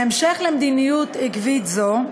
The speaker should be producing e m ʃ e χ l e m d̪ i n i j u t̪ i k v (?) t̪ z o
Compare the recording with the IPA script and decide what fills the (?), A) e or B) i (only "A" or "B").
B